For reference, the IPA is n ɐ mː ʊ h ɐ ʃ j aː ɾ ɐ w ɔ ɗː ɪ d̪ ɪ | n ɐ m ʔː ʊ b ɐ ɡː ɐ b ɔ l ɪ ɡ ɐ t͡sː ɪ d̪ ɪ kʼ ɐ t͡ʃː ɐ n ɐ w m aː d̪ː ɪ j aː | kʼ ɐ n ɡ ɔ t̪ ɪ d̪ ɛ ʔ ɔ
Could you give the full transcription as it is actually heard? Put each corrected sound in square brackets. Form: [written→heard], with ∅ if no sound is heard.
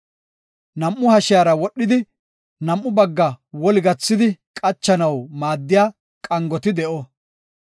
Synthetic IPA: n ɐ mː ʊ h ɐ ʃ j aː ɾ ɐ w ɔ ɗː ɪ d̪ ɪ | n ɐ m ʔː ʊ b ɐ ɡː ɐ [b→w] ɔ l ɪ ɡ ɐ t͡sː ɪ d̪ ɪ kʼ ɐ t͡ʃː ɐ n ɐ w m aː d̪ː ɪ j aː | kʼ ɐ [n→ŋ] ɡ ɔ t̪ ɪ d̪ ɛ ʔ ɔ